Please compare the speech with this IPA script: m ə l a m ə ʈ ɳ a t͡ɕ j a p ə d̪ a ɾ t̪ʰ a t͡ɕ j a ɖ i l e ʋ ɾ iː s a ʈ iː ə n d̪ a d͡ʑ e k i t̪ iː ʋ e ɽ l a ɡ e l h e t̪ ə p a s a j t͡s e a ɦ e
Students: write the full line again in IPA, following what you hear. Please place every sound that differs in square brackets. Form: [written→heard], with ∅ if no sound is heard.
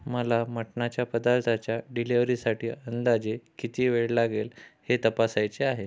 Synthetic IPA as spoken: m ə l a m ə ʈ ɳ a t͡ɕ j a p ə d̪ a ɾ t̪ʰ a t͡ɕ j a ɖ i l e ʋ ɾ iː s a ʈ iː ə n d̪ a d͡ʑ e k i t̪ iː ʋ e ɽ l a ɡ e l h e t̪ ə p a s a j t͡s e a ɦ e